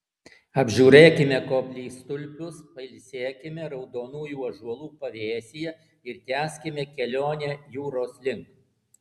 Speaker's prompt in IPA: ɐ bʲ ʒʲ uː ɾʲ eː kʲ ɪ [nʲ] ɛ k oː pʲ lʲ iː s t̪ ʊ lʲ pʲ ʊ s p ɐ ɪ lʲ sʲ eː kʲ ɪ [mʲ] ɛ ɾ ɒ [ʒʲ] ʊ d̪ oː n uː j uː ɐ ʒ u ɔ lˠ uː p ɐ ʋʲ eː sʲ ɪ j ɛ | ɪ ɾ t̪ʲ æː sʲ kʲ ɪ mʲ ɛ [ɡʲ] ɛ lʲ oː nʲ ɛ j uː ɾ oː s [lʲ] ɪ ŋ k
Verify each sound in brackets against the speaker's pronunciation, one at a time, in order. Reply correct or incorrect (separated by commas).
incorrect, correct, incorrect, incorrect, correct